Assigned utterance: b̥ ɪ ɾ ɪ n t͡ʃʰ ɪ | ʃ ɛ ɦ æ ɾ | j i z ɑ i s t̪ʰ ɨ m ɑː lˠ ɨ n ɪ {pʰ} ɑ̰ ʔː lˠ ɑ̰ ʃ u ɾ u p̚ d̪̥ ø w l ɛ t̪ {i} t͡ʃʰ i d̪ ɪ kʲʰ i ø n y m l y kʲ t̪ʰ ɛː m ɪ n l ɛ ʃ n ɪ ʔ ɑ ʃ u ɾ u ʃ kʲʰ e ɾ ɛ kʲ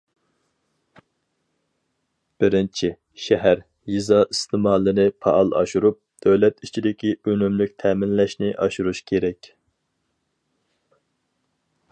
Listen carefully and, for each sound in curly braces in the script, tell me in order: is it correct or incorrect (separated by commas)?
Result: correct, correct